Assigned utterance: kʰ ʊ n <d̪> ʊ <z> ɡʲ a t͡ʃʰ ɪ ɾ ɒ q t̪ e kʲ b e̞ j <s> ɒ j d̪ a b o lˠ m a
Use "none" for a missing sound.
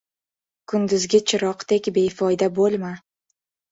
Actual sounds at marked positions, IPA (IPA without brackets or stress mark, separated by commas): d̪, z, f